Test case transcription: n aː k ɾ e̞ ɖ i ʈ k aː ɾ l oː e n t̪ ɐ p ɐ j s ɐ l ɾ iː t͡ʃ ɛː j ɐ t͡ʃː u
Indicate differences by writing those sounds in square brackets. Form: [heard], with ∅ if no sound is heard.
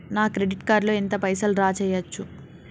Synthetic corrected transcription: n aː k ɾ e̞ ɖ i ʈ k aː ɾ l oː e n t̪ ɐ p ɐ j s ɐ l ɾ [aː] t͡ʃ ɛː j ɐ t͡ʃː u